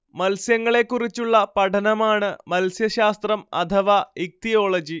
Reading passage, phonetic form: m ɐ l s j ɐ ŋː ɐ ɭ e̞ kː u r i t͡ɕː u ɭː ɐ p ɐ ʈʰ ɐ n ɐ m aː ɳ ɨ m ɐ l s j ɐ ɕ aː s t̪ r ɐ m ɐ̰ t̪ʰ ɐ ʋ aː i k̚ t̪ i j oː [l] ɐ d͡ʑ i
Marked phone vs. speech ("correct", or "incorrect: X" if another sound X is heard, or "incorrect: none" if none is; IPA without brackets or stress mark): incorrect: ɭ